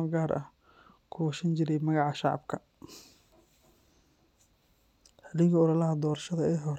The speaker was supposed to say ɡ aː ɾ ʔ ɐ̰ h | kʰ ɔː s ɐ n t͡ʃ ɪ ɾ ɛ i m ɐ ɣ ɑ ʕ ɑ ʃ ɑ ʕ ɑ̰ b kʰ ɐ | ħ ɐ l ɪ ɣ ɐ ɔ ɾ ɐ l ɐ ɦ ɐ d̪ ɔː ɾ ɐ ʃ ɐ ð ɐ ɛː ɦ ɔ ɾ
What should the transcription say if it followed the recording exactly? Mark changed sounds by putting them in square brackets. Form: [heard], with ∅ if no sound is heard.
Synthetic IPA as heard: ɡ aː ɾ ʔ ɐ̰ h | kʰ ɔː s ɐ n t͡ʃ ɪ ɾ ɛ [j] m ɐ ɣ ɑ ʕ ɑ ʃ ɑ ʕ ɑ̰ b kʰ ɐ | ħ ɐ l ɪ ɣ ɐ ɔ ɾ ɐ l ɐ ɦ ɐ d̪ ɔː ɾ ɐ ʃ ɐ ð ɐ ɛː ɦ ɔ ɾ